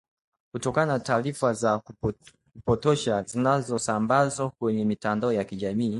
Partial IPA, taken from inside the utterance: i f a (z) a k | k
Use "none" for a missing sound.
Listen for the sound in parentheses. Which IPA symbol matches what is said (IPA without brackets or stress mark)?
z